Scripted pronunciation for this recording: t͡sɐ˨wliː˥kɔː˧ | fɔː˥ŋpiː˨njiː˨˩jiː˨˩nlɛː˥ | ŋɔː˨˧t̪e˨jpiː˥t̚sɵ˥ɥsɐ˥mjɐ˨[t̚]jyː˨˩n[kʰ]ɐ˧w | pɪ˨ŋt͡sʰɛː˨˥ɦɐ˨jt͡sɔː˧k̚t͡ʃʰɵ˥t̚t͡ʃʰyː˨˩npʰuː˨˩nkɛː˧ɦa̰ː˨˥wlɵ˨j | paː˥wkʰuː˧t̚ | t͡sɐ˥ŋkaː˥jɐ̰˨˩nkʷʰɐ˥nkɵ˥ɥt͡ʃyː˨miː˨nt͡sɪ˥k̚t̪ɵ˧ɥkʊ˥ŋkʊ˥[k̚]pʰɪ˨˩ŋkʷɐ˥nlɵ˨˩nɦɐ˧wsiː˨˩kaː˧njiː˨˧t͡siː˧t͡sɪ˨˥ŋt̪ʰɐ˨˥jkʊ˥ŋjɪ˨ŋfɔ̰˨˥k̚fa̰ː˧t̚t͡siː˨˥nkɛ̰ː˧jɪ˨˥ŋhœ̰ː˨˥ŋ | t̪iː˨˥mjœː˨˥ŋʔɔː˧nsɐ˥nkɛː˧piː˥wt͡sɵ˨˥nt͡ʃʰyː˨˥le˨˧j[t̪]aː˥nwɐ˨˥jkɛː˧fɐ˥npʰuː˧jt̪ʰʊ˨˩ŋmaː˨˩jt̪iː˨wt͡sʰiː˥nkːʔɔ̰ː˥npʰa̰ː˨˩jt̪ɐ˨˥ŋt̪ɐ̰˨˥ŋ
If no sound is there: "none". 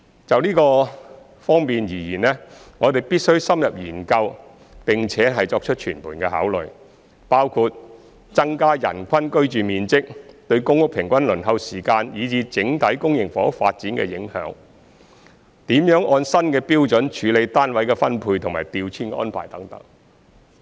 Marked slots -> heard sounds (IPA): p̚, k, k̚, t̪

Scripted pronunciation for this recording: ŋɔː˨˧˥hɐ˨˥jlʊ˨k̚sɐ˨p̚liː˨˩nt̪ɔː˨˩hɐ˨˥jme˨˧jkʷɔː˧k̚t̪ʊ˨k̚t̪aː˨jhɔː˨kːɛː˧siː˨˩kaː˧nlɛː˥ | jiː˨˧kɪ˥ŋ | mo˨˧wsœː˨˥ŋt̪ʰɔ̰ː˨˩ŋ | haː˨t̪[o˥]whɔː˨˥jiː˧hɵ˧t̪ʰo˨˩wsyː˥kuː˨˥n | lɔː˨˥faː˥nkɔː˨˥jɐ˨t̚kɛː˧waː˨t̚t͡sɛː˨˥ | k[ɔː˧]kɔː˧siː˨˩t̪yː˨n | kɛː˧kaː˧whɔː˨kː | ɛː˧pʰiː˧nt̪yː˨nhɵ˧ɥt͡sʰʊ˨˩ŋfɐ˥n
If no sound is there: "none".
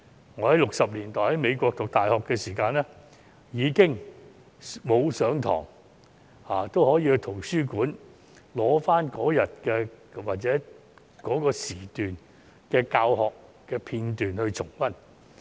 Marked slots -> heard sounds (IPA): o˥, ɔː˨˥

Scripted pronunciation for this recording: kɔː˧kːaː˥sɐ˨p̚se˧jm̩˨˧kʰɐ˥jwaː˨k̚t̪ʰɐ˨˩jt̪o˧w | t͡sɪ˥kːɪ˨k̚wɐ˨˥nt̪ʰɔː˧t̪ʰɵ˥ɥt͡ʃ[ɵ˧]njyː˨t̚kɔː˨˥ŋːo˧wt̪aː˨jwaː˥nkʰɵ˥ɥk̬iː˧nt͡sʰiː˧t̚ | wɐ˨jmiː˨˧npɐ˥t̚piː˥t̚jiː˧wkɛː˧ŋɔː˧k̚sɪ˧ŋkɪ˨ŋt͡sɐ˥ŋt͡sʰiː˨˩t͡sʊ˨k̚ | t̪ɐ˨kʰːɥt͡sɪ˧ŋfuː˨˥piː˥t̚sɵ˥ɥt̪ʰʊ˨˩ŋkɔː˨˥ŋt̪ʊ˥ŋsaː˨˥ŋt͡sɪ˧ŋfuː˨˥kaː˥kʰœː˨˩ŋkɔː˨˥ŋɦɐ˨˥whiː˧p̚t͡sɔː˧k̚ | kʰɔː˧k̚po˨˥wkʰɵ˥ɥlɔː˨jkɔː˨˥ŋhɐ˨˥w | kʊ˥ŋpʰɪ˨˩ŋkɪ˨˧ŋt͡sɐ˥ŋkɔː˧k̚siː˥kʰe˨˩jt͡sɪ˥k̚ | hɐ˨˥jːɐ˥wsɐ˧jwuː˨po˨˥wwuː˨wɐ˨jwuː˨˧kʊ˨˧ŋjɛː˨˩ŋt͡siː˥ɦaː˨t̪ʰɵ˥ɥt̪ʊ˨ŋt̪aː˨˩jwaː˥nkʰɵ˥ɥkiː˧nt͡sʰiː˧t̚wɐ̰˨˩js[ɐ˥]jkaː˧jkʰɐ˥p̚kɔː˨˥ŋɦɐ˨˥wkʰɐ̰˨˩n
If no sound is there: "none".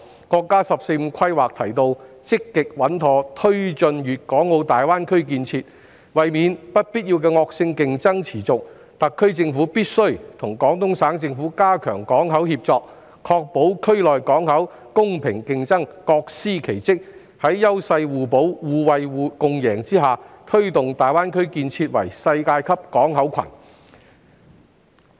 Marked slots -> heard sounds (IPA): ɵ˧, ɐ˧

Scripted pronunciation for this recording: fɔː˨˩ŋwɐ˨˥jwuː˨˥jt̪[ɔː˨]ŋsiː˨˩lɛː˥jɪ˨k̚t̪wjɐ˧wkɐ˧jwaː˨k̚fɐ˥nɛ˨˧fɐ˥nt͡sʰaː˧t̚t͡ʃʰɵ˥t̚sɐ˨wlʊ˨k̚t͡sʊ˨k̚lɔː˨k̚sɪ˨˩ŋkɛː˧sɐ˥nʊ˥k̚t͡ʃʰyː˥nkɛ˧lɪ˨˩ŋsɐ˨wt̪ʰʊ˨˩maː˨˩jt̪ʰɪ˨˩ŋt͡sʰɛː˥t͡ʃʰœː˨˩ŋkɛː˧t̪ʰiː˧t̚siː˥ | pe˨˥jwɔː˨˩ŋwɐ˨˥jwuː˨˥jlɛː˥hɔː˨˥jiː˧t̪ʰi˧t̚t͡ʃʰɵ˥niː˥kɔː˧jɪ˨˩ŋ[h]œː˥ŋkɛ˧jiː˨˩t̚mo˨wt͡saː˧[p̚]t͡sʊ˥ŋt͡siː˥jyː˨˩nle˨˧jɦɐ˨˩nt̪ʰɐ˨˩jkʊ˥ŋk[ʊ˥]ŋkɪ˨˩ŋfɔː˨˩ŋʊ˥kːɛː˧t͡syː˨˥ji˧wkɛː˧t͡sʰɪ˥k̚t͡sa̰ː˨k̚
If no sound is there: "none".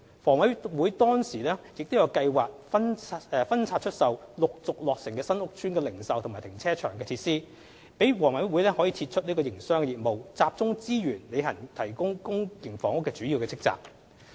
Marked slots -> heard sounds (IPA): ɔː˥, s, p̚, ʊ˥

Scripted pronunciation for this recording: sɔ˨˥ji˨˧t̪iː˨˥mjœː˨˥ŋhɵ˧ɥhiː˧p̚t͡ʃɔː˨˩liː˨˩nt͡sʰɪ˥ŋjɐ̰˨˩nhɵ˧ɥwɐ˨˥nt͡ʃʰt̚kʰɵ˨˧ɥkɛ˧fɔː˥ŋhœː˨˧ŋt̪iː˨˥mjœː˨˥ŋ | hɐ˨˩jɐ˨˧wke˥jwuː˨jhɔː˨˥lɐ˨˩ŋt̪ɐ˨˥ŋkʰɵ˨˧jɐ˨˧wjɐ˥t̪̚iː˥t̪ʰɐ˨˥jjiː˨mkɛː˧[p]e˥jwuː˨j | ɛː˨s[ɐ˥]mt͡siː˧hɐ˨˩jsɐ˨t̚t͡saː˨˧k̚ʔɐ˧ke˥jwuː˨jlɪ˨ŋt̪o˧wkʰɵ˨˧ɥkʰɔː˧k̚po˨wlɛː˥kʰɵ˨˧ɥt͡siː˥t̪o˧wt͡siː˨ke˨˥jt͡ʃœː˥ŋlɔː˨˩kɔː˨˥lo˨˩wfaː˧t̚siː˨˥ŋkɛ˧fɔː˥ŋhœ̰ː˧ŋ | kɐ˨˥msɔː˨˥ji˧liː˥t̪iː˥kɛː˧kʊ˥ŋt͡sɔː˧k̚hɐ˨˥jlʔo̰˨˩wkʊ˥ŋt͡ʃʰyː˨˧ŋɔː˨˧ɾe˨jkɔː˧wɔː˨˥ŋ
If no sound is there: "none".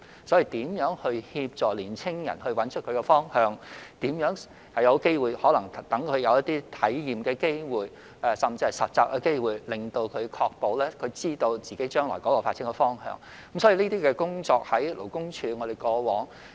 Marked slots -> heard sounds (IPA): k, ɐ˨˩

